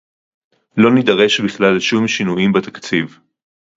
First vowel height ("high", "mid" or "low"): mid